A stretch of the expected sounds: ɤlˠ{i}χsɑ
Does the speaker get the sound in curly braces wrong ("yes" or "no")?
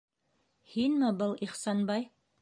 no